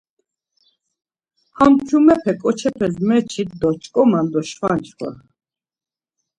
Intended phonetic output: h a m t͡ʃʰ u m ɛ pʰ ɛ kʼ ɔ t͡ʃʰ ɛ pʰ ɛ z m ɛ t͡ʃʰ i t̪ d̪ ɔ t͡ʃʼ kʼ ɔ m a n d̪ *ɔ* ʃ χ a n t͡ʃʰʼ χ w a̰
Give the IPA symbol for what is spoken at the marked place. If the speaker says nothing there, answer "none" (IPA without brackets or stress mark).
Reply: ɔ